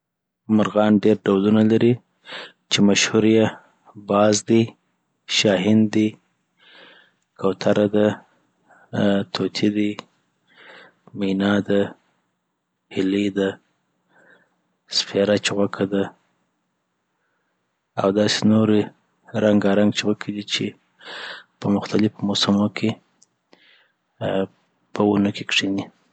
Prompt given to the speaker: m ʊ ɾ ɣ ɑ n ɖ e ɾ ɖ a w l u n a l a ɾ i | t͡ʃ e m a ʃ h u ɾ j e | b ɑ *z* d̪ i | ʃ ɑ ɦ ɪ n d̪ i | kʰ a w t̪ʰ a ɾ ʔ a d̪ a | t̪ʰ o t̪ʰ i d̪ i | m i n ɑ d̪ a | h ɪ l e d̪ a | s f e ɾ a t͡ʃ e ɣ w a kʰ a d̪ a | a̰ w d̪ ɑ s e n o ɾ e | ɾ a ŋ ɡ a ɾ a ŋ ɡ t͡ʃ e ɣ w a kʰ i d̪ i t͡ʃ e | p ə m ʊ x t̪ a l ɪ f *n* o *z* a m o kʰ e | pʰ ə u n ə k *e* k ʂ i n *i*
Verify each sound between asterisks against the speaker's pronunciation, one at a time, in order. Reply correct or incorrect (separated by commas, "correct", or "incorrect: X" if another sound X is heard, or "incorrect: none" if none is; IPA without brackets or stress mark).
correct, incorrect: m, incorrect: s, correct, correct